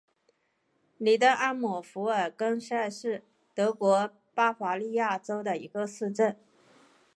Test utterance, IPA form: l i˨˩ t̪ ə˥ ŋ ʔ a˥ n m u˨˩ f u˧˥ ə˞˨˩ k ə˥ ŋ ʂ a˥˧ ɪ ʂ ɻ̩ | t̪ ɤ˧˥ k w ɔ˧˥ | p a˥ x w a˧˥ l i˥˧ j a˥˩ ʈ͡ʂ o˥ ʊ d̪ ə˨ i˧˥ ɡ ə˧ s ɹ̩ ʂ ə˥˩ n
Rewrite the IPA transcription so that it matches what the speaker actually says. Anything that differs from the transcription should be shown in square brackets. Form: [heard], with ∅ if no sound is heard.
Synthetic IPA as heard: l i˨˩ t̪ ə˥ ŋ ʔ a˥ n m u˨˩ f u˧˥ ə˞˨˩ k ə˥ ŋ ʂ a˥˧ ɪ ʂ ɻ̩ | t̪ ɤ˧˥ k w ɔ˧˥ | p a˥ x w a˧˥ l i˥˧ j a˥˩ ʈ͡ʂ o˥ ʊ d̪ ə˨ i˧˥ ɡ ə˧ s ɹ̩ [ʈ͡ʂ] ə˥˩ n

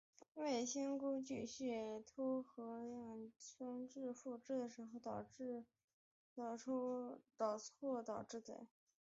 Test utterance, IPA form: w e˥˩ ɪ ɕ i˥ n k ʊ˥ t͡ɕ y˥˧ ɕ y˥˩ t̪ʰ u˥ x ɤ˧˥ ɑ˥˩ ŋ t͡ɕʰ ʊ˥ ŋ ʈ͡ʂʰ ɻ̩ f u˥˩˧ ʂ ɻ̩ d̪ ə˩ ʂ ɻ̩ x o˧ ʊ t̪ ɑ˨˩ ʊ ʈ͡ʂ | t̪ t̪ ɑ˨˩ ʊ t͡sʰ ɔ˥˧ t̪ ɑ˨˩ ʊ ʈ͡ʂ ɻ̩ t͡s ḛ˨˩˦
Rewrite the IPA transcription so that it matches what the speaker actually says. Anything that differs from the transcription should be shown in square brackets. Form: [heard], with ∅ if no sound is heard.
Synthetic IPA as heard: w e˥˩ ɪ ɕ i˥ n k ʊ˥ t͡ɕ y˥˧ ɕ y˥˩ t̪ʰ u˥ x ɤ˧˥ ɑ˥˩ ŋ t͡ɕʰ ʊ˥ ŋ [ʈ͡ʂ] ɻ̩ f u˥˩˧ [ʈ͡ʂ] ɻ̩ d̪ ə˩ ʂ ɻ̩ x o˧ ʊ t̪ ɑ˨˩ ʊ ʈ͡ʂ | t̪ t̪ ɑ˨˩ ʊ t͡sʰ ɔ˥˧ t̪ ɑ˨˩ ʊ ʈ͡ʂ ɻ̩ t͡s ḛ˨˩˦

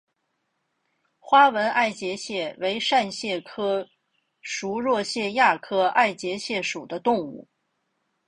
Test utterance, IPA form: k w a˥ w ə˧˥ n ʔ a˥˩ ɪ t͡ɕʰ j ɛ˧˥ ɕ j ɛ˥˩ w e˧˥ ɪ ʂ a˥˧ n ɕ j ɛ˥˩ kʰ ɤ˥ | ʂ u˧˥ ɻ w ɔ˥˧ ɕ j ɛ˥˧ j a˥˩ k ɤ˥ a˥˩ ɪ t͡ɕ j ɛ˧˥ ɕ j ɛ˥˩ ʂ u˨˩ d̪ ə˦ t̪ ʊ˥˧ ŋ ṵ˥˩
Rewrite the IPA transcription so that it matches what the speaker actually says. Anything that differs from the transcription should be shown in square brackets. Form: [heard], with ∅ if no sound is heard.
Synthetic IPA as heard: [x] w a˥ w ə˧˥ n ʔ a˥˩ ɪ [t͡ɕ] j ɛ˧˥ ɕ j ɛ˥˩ w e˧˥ ɪ ʂ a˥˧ n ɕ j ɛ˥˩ kʰ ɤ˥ | ʂ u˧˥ ɻ w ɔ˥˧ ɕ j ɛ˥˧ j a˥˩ [kʰ] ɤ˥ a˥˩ ɪ t͡ɕ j ɛ˧˥ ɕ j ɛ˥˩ ʂ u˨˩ d̪ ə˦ t̪ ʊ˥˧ ŋ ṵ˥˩

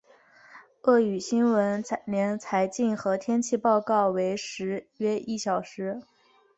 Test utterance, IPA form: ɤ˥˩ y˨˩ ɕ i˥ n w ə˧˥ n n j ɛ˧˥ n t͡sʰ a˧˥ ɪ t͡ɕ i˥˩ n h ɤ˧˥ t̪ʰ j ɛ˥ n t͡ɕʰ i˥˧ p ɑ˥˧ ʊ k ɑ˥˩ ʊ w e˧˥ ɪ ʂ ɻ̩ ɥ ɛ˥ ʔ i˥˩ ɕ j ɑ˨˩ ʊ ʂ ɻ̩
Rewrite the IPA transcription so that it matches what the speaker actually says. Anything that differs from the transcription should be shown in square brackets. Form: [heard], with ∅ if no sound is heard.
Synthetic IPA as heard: ɤ˥˩ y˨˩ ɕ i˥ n w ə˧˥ n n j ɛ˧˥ n t͡sʰ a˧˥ ɪ t͡ɕ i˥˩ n [x] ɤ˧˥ t̪ʰ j ɛ˥ n t͡ɕʰ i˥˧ p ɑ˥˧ ʊ k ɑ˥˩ ʊ w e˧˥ ɪ ʂ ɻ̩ ɥ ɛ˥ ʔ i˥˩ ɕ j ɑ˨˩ ʊ ʂ ɻ̩

